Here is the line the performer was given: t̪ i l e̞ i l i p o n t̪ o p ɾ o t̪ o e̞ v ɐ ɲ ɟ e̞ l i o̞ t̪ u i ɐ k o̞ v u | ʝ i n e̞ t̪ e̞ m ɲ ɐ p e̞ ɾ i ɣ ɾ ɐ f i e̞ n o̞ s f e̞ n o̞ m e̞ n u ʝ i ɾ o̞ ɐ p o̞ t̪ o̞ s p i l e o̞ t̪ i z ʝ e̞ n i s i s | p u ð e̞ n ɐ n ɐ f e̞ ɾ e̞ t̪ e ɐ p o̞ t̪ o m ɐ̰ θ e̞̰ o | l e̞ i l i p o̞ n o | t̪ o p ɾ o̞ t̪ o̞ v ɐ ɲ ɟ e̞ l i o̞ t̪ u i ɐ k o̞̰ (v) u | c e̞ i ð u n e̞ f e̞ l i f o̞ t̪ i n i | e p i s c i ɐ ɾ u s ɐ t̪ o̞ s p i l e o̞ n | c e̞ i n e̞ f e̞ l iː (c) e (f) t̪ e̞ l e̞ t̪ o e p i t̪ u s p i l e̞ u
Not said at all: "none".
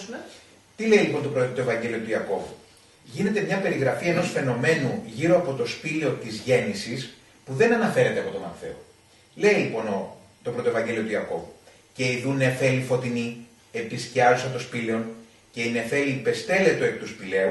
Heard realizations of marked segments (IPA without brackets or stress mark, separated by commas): v, p, s